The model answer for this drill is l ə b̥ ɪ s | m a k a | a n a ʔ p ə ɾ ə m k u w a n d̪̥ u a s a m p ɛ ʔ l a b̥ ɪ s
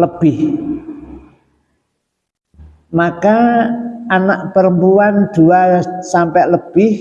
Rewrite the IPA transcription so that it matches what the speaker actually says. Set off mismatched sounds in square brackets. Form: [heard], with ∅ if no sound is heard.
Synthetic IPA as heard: l ə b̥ ɪ [h] | m a k a | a n a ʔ p ə ɾ ə m [p] u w a n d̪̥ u a s a m p ɛ ʔ l [ə] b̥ ɪ [h]